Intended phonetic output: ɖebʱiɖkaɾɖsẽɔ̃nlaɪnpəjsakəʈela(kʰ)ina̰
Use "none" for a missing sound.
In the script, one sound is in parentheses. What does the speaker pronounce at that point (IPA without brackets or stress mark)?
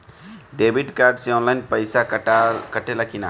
k